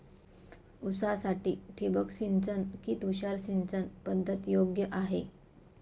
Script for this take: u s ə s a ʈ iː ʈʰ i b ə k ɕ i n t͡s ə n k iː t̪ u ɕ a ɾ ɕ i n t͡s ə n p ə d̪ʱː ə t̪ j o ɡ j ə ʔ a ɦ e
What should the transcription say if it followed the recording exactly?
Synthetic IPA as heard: u s a s a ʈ iː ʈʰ i b ə k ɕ i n t͡s ə n k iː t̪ u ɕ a ɾ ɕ i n t͡s ə n p ə d̪ʱː ə t̪ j o ɡ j ə ʔ a ɦ e